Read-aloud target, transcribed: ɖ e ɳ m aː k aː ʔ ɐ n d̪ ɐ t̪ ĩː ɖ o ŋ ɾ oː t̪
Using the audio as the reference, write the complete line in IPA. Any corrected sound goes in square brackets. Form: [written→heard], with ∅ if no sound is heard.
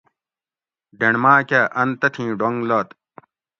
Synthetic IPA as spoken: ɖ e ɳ m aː k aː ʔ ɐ n [d̪→t̪] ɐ [t̪→t̪ʰ] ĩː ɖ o ŋ [ɾ→l] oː t̪